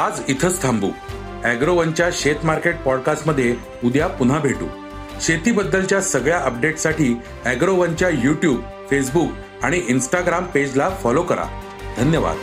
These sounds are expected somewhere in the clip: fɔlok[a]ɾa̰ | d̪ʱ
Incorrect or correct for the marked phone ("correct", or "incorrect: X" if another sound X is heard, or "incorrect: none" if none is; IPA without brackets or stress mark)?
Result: incorrect: ə